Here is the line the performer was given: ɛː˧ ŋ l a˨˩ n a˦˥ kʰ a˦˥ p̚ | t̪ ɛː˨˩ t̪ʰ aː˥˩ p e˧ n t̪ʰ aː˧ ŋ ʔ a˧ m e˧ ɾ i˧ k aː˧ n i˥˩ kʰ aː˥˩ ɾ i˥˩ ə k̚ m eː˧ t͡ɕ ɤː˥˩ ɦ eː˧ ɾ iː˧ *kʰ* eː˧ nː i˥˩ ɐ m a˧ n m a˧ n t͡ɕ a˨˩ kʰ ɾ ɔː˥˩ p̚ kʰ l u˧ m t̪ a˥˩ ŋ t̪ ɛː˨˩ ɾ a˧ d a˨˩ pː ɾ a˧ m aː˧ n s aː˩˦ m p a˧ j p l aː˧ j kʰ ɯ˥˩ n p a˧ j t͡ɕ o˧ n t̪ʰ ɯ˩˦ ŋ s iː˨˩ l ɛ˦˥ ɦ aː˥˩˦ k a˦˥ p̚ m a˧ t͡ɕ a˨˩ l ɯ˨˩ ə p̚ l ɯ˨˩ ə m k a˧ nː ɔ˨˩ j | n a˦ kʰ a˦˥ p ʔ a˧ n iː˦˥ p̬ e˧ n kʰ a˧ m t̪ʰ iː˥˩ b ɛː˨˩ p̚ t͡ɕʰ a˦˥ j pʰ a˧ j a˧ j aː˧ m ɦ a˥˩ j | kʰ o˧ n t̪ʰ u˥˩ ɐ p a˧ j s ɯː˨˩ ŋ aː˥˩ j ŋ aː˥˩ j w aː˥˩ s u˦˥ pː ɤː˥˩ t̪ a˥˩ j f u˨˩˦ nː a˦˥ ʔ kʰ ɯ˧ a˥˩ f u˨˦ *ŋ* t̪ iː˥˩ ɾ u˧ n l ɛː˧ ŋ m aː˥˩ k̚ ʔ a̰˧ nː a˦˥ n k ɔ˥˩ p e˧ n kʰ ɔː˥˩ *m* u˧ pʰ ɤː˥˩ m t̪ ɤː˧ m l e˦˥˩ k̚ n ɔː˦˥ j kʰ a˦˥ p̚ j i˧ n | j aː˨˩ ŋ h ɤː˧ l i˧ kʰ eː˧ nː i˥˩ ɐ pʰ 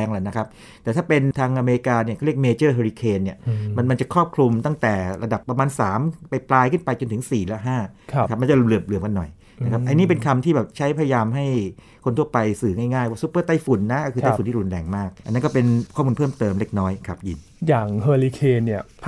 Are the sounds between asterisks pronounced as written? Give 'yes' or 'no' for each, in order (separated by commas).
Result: yes, no, yes